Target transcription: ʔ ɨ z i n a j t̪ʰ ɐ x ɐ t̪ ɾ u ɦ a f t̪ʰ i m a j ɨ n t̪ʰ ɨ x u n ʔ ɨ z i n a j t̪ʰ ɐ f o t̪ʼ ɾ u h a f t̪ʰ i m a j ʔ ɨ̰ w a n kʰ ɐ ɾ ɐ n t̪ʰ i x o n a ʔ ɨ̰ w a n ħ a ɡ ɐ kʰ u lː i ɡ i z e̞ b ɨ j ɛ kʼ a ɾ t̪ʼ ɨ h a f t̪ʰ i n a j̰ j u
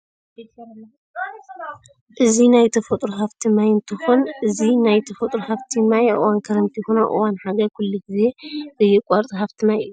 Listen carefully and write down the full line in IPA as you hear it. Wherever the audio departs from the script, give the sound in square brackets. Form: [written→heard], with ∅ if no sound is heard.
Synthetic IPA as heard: ʔ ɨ z i n a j t̪ʰ ɐ [x→f] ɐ [t̪→t̪ʼ] ɾ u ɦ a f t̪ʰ i m a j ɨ n t̪ʰ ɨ x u n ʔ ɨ z i n a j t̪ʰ ɐ f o t̪ʼ ɾ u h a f t̪ʰ i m a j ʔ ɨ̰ w a n kʰ ɐ ɾ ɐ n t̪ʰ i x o n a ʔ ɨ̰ w a n ħ a ɡ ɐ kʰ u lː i ɡ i z e̞ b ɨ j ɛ kʼ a ɾ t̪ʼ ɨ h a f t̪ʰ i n a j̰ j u

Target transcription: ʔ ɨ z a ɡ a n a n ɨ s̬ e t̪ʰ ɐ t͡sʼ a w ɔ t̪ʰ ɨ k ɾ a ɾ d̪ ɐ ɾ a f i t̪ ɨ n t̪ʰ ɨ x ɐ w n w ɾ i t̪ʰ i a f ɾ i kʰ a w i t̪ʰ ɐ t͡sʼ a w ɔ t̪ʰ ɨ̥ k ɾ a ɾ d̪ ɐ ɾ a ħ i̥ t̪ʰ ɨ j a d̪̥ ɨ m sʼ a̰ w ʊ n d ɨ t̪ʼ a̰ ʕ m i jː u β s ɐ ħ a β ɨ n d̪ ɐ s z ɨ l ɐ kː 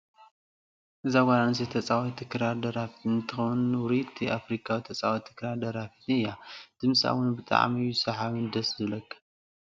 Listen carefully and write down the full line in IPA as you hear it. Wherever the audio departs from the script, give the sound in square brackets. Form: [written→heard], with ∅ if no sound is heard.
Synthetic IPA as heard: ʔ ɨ z a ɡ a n a n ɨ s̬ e t̪ʰ ɐ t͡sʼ a w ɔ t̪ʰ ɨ k ɾ a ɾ d̪ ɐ ɾ a f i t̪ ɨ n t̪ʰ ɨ x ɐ w n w ɾ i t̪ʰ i a f ɾ i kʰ a w i t̪ʰ ɐ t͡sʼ a w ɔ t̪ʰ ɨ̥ k ɾ a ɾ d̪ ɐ ɾ a [ħ→f] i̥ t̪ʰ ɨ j a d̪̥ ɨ m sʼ a̰ w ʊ n [d→b] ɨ t̪ʼ a̰ ʕ m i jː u [β→∅] s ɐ ħ a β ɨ n d̪ ɐ s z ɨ l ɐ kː

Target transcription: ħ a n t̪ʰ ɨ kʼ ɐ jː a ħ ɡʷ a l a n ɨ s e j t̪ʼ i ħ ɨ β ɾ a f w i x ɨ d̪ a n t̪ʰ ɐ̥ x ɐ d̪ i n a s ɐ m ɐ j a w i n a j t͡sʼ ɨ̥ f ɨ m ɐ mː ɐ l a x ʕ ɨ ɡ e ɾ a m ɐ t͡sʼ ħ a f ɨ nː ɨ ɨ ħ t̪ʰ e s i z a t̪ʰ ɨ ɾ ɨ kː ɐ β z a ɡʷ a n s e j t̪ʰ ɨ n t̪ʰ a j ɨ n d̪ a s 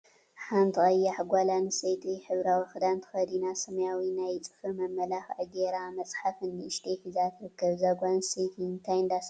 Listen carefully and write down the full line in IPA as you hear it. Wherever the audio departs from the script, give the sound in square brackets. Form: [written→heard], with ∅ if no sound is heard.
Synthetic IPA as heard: ħ a n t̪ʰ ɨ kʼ ɐ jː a ħ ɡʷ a l a n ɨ s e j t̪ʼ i ħ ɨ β ɾ a [f→∅] w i x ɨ d̪ a n t̪ʰ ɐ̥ x ɐ d̪ i n a s ɐ m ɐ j a w i n a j t͡sʼ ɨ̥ f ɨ m ɐ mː ɐ l a x ʕ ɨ ɡ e ɾ a m ɐ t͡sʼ ħ a f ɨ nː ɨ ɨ [ħ→ʃ] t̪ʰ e [s→f] i z a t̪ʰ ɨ ɾ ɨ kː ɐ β z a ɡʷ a n s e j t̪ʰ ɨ n t̪ʰ a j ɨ n d̪ a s

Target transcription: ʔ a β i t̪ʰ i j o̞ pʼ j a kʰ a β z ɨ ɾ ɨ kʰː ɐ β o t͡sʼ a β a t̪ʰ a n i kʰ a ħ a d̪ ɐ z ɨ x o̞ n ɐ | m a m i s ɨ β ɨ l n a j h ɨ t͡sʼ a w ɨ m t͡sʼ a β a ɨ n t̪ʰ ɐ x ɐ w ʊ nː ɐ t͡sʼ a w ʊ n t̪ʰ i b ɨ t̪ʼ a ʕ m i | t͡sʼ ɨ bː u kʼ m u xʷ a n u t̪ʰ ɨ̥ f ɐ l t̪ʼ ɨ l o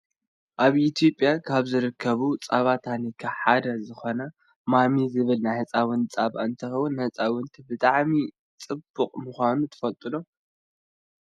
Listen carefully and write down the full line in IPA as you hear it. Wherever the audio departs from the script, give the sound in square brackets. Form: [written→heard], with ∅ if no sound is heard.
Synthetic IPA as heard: ʔ a β i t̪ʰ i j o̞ pʼ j a kʰ a β z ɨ ɾ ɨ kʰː ɐ β [o→u] t͡sʼ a β a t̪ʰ a n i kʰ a ħ a d̪ ɐ z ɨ x o̞ n ɐ | m a m i [s→z] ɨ β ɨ l n a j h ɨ t͡sʼ a w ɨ [m→n] t͡sʼ a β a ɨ n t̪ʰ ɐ x ɐ w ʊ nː ɐ t͡sʼ a w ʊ n t̪ʰ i b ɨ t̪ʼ a ʕ m i | t͡sʼ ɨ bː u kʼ m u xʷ a n u t̪ʰ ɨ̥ f ɐ l t̪ʼ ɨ l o

